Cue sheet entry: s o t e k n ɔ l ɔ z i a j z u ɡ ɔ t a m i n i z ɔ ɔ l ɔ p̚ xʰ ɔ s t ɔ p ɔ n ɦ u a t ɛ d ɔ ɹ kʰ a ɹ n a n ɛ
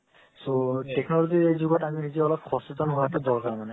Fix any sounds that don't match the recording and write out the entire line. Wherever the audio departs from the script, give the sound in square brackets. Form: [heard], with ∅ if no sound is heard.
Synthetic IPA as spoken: s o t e k n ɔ l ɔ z i [e] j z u ɡ ɔ t a m i n i z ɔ ɔ l ɔ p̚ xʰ ɔ s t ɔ [t] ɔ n ɦ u a t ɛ d ɔ ɹ [k] a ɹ [m] a n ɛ